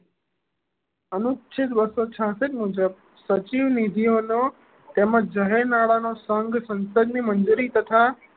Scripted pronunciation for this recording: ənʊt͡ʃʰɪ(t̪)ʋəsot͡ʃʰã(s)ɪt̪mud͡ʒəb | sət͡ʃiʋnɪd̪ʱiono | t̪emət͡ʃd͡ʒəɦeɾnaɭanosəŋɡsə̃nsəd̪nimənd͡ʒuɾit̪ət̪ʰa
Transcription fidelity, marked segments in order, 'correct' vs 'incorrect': correct, correct

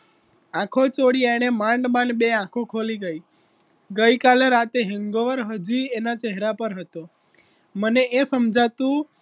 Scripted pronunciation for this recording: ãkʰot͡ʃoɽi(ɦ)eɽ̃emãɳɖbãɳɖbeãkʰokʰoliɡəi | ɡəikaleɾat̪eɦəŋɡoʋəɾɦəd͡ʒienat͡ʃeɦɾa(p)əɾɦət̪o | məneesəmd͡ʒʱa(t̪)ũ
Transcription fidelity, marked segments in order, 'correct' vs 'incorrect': incorrect, correct, correct

